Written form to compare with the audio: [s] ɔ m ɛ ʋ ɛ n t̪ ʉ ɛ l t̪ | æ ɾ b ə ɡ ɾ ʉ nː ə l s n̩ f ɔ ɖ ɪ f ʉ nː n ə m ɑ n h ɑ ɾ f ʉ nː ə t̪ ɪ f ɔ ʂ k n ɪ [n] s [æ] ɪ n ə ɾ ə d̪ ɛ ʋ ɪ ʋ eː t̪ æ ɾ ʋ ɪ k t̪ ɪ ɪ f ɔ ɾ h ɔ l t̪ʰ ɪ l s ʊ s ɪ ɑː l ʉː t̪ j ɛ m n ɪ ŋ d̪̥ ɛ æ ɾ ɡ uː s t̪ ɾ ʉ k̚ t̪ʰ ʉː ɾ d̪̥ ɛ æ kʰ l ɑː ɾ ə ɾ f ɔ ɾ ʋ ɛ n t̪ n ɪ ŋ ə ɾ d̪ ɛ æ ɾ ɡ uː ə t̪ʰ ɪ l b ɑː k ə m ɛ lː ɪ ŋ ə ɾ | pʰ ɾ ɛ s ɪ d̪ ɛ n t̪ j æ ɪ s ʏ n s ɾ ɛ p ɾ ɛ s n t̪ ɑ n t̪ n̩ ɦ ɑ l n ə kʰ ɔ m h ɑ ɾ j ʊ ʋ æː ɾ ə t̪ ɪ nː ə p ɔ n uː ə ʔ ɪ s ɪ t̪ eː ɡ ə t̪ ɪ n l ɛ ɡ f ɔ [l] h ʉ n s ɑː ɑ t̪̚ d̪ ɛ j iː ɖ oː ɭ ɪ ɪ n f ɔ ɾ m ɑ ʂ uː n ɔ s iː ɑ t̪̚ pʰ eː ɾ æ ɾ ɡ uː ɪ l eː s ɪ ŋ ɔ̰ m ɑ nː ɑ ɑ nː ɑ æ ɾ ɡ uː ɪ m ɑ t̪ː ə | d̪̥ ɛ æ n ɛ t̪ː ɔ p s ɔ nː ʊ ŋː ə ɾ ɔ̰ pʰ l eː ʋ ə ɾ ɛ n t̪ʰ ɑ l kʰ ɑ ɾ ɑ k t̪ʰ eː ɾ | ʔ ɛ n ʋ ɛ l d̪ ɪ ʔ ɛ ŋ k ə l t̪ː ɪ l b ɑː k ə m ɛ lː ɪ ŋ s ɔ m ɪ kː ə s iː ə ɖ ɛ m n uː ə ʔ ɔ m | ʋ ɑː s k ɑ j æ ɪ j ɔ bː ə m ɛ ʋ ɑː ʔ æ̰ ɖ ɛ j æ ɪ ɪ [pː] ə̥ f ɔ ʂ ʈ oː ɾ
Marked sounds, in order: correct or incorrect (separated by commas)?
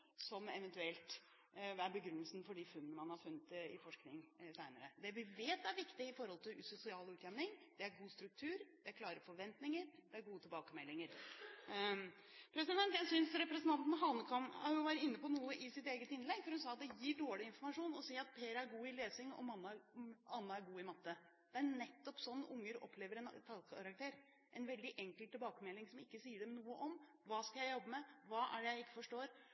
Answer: correct, incorrect, correct, incorrect, incorrect